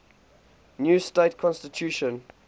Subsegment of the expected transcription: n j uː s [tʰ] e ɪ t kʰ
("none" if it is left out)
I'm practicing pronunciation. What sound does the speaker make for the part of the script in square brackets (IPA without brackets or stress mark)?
t